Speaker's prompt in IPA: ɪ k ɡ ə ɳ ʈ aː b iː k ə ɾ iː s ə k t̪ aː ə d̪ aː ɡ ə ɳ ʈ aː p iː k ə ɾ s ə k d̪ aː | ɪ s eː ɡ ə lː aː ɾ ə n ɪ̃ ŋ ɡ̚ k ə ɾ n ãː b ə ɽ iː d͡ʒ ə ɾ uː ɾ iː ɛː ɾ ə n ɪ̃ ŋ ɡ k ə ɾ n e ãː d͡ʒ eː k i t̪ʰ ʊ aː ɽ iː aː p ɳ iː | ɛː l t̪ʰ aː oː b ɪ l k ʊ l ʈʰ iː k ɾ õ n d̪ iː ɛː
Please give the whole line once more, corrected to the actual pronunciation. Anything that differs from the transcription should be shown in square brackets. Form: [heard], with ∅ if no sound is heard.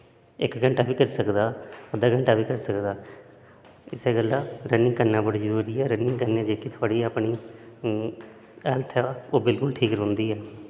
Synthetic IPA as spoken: ɪ k ɡ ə ɳ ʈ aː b iː k ə ɾ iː s ə k [d̪] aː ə d̪ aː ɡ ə ɳ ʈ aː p iː k ə ɾ s ə k d̪ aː | ɪ s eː ɡ ə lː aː ɾ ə n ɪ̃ ŋ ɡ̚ k ə ɾ n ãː b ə ɽ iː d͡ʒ ə ɾ uː ɾ iː ɛː ɾ ə n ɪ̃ ŋ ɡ k ə ɾ n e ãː d͡ʒ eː k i t̪ʰ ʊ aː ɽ iː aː p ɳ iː | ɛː l t̪ʰ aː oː b ɪ l k ʊ l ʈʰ iː k ɾ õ n d̪ iː ɛː